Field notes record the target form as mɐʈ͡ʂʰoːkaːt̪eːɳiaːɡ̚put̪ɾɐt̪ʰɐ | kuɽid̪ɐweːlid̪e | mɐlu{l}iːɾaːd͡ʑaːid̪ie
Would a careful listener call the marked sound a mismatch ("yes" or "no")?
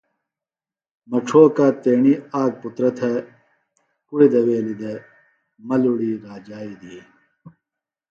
yes